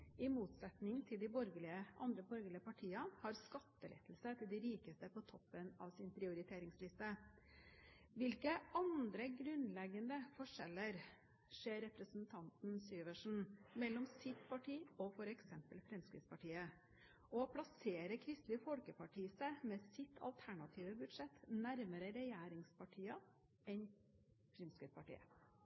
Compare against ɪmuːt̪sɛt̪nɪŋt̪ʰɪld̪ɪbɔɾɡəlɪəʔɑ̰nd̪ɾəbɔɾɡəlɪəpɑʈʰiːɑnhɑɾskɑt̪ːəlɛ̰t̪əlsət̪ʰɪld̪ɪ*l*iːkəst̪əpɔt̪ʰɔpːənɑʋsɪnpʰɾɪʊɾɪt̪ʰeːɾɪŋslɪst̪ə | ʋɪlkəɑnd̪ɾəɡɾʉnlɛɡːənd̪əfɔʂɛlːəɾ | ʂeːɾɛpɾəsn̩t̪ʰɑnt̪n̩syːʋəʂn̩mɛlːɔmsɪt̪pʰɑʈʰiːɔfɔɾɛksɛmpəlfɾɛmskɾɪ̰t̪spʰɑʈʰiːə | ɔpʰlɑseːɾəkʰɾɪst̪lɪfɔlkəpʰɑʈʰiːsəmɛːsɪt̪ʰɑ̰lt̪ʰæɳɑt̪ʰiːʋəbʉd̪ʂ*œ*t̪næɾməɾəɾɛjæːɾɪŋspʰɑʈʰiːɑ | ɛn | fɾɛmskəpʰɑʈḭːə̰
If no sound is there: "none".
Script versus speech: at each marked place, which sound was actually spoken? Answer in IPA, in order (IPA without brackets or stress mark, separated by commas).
ɾ, ɛ